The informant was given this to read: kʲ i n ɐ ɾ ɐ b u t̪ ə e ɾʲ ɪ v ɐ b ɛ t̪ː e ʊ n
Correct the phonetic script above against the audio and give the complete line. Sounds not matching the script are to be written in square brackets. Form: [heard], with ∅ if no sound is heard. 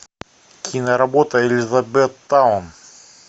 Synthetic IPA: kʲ i n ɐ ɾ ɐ b [o] t̪ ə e [lʲ] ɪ [z] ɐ b ɛ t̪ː [a] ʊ n